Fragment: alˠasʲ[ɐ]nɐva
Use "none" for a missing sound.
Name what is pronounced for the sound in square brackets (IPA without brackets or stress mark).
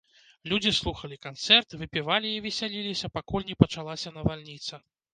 ɐ